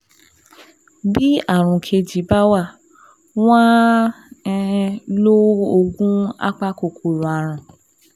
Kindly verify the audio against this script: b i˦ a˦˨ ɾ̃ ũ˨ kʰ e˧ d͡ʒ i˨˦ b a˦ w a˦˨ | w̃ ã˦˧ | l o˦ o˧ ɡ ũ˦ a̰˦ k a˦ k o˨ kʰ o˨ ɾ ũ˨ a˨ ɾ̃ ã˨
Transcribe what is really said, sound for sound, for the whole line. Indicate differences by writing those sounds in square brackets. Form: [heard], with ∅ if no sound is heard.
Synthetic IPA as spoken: b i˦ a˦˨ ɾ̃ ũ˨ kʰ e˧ d͡ʒ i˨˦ b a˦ w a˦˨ | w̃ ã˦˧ | l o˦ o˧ ɡ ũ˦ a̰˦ [k͡p] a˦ k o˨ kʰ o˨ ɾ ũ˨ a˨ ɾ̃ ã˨

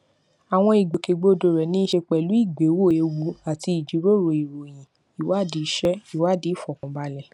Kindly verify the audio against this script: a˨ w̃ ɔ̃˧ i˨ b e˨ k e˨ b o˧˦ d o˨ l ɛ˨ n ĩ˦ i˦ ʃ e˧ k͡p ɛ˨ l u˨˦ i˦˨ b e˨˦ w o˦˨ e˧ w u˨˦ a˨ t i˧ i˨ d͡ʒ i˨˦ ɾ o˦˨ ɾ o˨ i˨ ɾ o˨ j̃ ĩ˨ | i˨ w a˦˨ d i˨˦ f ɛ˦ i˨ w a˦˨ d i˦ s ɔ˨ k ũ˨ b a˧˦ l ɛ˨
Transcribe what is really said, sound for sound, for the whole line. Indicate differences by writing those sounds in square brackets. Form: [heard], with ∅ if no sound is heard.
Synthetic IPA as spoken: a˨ w̃ ɔ̃˧ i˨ [ɡ͡b] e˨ k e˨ [ɡ͡b] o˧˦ d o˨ [ɾ] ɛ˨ n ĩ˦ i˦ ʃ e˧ k͡p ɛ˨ l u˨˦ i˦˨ [ɡ͡b] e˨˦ w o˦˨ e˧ w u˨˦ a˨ t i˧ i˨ d͡ʒ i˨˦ ɾ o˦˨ ɾ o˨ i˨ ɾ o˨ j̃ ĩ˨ | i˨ w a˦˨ d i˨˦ [ʃ] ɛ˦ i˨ w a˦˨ d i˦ [f] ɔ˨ k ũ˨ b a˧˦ l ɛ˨

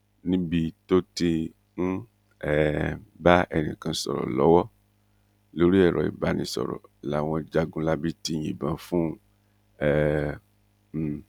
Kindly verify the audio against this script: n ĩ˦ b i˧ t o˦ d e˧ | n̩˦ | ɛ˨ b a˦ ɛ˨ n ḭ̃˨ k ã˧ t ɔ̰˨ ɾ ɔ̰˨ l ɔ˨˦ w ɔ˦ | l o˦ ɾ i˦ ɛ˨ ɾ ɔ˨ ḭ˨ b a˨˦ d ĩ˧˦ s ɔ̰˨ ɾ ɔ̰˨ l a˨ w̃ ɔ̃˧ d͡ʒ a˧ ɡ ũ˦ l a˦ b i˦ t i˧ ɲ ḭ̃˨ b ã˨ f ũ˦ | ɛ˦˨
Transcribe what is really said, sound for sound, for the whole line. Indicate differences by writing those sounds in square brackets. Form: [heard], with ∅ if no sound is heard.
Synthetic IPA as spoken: n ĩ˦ b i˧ t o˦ [t] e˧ | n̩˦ | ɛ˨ b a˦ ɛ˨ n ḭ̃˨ k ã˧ [s] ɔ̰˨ ɾ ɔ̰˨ l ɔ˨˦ w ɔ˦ | l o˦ ɾ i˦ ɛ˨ ɾ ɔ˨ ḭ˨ b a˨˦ [n] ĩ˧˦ s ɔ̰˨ ɾ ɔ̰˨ l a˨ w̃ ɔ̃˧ d͡ʒ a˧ ɡ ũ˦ l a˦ b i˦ t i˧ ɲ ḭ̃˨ b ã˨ f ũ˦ | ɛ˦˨

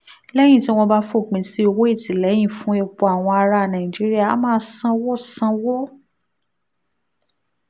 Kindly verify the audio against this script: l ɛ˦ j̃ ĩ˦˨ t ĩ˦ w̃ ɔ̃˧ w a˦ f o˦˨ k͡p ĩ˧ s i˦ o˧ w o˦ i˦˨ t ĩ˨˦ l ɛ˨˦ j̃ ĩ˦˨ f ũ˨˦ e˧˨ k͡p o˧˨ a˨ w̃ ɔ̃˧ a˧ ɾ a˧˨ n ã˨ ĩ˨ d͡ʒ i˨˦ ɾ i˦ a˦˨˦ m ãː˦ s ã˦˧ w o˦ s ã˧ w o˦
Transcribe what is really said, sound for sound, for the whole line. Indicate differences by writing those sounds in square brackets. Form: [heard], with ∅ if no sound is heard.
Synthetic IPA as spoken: l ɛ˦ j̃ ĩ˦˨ t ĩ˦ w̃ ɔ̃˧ [b] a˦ f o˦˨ k͡p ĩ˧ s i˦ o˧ w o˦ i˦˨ t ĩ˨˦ l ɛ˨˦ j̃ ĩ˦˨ f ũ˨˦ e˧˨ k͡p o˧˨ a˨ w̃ ɔ̃˧ a˧ ɾ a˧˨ n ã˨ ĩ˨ d͡ʒ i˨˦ ɾ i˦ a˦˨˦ m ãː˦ s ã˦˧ w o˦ s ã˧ w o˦

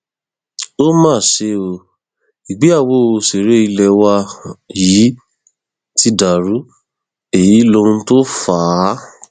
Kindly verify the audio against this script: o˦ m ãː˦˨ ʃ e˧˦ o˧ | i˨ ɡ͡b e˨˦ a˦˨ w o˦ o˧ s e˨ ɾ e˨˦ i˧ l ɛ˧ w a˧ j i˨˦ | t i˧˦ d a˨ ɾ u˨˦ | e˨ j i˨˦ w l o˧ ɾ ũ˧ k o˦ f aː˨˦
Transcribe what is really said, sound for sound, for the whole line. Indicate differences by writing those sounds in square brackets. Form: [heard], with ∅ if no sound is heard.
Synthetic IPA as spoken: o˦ m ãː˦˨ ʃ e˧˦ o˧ | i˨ ɡ͡b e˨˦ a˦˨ w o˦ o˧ s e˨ ɾ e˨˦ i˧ l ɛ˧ w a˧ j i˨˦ | t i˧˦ d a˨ ɾ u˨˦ | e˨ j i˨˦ [∅] l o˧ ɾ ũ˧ [t] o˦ f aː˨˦

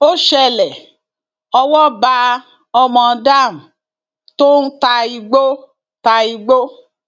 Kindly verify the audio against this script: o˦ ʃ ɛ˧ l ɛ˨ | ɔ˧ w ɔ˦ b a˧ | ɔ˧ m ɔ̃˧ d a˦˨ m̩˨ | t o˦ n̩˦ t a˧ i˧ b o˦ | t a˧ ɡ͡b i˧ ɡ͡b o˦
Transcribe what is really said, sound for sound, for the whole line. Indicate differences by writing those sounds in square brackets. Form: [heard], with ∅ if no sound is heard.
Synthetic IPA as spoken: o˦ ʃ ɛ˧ l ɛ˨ | ɔ˧ w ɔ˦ b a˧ | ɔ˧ m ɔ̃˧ d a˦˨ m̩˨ | t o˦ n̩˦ t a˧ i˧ [ɡ͡b] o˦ | t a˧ [∅] i˧ ɡ͡b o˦

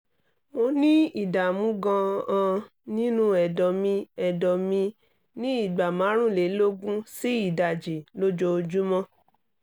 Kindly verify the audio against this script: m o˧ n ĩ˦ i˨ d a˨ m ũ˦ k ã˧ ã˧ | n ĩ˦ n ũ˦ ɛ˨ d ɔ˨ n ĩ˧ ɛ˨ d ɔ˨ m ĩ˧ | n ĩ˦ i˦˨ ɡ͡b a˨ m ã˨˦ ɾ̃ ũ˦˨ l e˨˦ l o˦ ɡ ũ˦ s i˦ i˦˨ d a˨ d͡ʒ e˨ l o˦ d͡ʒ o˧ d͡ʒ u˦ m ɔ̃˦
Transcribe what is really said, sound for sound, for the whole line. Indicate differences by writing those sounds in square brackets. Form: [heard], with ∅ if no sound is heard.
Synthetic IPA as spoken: m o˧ n ĩ˦ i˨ d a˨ m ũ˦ [ɡ] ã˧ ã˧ | n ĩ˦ n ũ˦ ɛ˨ d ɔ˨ [m] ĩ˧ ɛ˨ d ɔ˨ m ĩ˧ | n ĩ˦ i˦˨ ɡ͡b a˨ m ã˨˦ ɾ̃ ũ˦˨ l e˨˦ l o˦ ɡ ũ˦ s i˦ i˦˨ d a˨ d͡ʒ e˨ l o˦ d͡ʒ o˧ d͡ʒ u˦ m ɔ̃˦

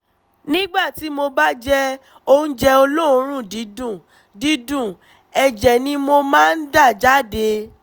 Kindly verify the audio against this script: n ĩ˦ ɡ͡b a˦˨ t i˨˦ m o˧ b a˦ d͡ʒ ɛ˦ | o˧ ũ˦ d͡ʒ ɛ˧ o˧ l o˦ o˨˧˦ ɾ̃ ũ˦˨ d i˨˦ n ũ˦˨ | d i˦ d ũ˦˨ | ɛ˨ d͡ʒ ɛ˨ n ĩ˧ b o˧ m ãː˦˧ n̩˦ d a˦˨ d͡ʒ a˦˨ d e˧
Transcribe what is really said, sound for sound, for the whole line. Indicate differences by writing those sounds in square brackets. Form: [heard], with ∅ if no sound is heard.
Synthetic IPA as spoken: n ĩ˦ ɡ͡b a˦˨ t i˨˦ m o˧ b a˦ d͡ʒ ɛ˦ | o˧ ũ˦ d͡ʒ ɛ˧ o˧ l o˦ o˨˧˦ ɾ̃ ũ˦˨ d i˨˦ [d] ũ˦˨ | d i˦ d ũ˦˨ | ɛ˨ d͡ʒ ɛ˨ n ĩ˧ [m] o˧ m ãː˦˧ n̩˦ d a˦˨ d͡ʒ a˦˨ d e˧

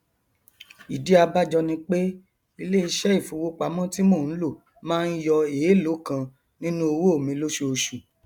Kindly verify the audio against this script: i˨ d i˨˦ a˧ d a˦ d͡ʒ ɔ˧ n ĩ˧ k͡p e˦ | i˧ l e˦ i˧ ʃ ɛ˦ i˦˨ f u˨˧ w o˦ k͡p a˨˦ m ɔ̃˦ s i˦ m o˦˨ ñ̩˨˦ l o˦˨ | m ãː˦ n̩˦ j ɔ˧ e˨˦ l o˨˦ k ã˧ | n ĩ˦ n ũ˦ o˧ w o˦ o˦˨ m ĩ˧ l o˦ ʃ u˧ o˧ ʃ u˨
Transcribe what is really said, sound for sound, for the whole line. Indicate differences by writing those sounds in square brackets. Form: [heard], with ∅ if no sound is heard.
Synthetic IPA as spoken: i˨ d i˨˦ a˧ [b] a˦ d͡ʒ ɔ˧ n ĩ˧ k͡p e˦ | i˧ l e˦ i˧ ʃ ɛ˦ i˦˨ f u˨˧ w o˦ k͡p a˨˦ m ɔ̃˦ [t] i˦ m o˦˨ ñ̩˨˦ l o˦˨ | m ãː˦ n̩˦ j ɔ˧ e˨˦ l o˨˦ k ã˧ | n ĩ˦ n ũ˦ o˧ w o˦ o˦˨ m ĩ˧ l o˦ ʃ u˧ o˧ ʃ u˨

